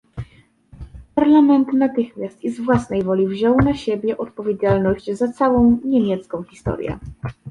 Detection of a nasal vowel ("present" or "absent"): present